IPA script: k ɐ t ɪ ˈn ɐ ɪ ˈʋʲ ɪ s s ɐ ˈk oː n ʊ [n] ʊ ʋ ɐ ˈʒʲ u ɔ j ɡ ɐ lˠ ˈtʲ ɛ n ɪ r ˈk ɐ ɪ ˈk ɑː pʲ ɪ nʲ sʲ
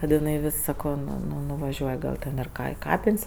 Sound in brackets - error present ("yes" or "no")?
no